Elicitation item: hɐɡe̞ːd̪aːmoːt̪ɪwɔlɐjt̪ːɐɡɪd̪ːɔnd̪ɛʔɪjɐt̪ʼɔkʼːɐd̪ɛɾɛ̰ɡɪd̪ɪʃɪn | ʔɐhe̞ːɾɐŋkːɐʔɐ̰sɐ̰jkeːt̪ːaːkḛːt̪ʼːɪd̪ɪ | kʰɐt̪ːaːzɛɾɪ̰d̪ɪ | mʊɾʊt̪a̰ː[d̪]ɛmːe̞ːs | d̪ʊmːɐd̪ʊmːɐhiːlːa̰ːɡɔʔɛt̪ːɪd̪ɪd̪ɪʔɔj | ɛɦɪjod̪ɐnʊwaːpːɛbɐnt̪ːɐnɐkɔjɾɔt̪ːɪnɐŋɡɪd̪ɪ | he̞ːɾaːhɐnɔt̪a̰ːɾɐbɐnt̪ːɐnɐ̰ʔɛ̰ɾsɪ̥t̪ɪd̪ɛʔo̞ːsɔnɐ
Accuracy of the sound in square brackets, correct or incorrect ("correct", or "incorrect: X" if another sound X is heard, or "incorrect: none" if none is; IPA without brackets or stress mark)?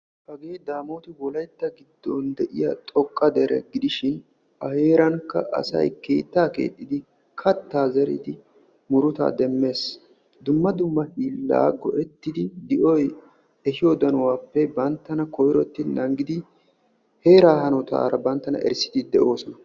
correct